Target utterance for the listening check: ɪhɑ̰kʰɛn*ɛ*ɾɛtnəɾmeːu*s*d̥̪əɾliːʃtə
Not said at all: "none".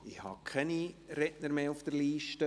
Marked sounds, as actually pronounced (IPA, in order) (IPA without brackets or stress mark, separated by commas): i, f